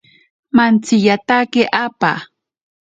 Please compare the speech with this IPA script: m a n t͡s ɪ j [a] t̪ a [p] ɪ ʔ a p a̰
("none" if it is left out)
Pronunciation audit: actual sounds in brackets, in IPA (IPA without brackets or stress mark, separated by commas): a, k